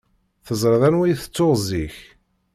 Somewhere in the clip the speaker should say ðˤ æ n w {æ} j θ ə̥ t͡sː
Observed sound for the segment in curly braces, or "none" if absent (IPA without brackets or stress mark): i